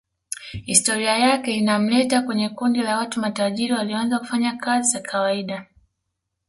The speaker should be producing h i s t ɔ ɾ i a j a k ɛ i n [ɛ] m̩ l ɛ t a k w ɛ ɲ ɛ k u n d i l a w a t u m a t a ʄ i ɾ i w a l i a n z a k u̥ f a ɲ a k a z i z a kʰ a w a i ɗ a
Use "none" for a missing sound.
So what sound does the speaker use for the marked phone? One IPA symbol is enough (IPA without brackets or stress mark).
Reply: a